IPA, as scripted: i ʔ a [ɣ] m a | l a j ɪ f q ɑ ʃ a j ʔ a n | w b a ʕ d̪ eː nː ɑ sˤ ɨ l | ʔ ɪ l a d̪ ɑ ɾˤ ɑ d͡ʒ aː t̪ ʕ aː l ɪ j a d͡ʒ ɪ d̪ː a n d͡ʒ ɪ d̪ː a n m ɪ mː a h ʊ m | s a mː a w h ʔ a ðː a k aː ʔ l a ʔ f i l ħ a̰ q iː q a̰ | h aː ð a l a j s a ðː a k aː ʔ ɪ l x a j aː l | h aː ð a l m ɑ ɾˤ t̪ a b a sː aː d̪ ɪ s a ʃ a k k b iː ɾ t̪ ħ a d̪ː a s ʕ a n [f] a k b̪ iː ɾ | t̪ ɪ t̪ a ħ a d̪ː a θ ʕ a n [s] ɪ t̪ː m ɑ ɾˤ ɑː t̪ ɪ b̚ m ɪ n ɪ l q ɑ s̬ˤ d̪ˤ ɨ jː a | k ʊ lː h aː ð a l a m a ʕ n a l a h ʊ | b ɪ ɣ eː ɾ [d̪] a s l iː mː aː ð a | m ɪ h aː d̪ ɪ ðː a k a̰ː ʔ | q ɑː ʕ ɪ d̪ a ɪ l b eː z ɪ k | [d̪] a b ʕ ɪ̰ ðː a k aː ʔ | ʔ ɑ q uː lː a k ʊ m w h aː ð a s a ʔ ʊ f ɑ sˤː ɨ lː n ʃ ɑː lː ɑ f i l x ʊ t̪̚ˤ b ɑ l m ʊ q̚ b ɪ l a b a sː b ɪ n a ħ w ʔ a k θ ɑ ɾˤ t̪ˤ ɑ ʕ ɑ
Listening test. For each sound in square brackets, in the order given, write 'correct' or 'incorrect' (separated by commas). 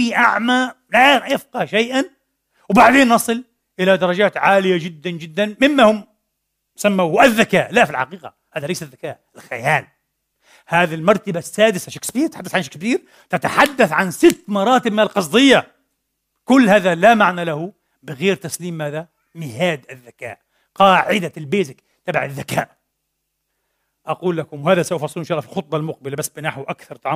incorrect, incorrect, correct, incorrect, incorrect